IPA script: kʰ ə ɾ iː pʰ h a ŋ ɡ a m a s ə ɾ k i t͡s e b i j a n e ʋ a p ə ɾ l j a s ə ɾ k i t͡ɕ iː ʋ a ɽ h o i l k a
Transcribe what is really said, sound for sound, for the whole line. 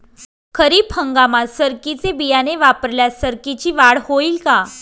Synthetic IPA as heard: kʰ ə ɾ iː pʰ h ə ŋ ɡ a m a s ə ɾ k i t͡s e b i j a n e ʋ a p ə ɾ l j a s ə ɾ k i t͡ɕ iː ʋ a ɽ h o i l k a

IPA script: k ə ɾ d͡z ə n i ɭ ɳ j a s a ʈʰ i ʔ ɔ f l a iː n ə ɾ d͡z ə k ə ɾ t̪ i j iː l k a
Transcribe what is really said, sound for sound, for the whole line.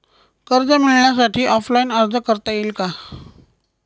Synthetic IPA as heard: k ə ɾ d͡z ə m i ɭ ɳ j a s a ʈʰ iː ʔ ɔ f l a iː n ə ɾ d͡z ə k ə ɾ t̪ a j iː l k a

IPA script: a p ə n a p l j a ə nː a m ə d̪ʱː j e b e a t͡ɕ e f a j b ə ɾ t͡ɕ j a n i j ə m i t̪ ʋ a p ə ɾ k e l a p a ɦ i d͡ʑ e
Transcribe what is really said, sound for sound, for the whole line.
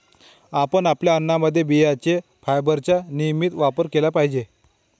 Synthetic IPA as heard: a p ə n a p l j a ə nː a m ə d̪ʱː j e b i a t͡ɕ e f a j b ə ɾ t͡ɕ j a n i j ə m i t̪ ʋ a p ə ɾ k e l a p a ɦ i d͡ʑ e

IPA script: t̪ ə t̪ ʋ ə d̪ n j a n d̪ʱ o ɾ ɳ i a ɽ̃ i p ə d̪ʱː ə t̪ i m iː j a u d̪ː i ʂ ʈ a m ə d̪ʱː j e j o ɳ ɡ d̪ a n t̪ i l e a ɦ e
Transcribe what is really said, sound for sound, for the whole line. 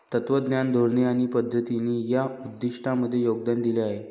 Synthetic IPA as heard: t̪ ə t̪ ʋ ə d̪ n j a n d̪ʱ o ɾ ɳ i a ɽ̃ i p ə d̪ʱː ə t̪ i n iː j a u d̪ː i ʂ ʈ a m ə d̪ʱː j e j o ɡ d̪ a n d̪ i l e a ɦ e

